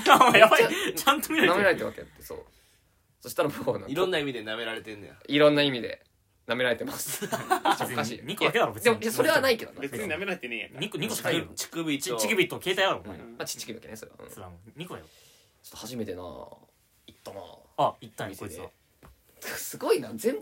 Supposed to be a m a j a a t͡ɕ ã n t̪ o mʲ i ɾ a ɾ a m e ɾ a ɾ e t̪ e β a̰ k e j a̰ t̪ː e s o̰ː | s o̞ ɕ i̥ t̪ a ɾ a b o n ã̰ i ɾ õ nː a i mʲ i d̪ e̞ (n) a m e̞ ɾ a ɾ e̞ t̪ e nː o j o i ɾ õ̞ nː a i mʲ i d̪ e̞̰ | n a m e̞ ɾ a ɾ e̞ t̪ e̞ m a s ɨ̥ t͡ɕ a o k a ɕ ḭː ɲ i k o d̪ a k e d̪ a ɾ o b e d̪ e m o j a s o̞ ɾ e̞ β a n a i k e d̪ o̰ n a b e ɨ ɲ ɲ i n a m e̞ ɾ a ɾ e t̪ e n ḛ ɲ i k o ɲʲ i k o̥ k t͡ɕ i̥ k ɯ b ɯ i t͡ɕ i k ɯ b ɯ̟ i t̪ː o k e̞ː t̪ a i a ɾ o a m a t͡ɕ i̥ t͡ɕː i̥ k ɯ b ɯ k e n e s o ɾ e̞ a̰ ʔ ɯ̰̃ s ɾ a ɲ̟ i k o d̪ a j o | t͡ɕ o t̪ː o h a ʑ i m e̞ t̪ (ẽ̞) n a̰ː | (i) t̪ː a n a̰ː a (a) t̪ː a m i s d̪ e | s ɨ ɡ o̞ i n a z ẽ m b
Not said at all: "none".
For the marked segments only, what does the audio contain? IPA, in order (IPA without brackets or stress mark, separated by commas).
n, e̞, i, i